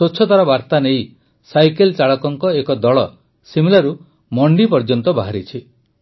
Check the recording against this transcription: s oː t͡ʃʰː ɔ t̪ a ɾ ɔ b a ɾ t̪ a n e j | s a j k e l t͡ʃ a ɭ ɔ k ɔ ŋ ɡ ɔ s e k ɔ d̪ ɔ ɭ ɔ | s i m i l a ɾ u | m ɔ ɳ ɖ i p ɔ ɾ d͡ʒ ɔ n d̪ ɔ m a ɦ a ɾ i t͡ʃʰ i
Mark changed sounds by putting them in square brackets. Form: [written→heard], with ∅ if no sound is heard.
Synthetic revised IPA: s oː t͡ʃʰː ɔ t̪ a ɾ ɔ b a ɾ t̪ a n e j | s a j k e l t͡ʃ a ɭ ɔ k ɔ ŋ [ɡ→k] ɔ [s→∅] e k ɔ d̪ ɔ ɭ ɔ | s i m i l a ɾ u | m ɔ ɳ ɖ i p ɔ ɾ d͡ʒ ɔ n [d̪→t̪] ɔ [m→b] a ɦ a ɾ i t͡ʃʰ i

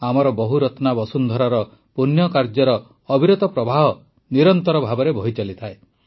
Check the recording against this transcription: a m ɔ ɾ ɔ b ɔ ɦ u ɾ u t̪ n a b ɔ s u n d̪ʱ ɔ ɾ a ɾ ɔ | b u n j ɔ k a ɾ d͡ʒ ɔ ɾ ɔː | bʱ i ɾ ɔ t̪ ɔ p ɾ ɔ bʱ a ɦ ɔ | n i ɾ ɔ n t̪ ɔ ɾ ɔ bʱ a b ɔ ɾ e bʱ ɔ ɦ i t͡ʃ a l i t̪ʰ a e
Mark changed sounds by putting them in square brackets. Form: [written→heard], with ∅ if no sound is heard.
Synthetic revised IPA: a m ɔ ɾ ɔ b ɔ ɦ u ɾ [u→ɔ] t̪ n a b ɔ s u n d̪ʱ ɔ ɾ a ɾ ɔ | [b→p] u n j ɔ k a ɾ d͡ʒ ɔ ɾ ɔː | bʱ i ɾ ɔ t̪ ɔ p ɾ ɔ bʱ a ɦ ɔ | n i ɾ ɔ n t̪ ɔ ɾ ɔ bʱ a b ɔ ɾ e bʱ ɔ ɦ i t͡ʃ a l i t̪ʰ a e

